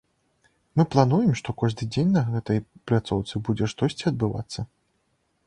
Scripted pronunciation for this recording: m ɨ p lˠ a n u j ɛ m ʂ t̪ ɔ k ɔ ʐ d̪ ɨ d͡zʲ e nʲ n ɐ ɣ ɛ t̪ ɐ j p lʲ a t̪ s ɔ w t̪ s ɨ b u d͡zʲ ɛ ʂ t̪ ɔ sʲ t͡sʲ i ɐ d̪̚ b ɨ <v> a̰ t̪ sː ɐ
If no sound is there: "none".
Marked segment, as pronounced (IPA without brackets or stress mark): v